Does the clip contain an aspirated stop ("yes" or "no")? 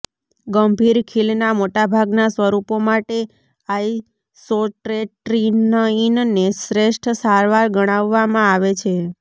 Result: yes